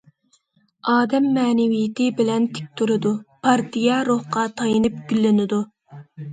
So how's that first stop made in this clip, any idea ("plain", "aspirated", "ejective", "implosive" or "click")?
plain